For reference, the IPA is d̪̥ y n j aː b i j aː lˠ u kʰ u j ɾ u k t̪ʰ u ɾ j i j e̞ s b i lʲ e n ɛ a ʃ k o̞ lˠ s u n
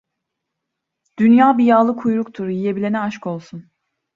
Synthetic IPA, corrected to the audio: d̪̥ y n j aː b i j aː lˠ ɯ kʰ u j ɾ u k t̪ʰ u ɾ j i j e̞ b i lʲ e n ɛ a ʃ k o̞ lˠ s u n